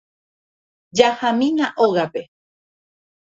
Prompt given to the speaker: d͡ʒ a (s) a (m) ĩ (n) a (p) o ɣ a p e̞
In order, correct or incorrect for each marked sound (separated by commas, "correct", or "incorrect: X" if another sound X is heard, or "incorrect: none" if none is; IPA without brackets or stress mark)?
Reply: incorrect: h, correct, correct, incorrect: ʔ